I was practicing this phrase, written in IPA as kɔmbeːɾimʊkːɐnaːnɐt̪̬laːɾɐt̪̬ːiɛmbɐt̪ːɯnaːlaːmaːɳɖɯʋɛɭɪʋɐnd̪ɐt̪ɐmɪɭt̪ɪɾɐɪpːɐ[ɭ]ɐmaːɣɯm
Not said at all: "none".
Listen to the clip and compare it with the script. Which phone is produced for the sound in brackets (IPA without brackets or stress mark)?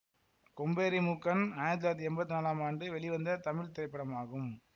ɽ